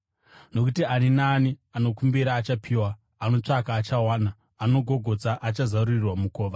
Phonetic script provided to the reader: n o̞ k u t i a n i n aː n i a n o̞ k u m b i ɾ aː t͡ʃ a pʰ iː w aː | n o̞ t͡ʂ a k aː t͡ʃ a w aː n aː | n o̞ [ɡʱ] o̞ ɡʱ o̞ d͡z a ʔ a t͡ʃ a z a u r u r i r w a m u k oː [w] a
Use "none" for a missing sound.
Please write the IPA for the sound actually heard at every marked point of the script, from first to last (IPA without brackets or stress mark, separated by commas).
ɡʱ, ʋ